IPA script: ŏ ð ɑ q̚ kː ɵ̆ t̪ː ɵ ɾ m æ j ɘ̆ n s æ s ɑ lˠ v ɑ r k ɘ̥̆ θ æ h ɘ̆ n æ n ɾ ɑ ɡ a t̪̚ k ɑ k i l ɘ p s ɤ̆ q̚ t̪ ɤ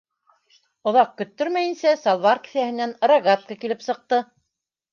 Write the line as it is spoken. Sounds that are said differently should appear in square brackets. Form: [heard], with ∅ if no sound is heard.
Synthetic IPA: ŏ ð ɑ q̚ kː ɵ̆ t̪ː ɵ ɾ m æ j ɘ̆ n s æ s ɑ lˠ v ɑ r k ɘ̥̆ θ æ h ɘ̆ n æ n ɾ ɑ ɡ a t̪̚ k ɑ k i l ɘ p s ɤ̆ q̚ t̪ ɤ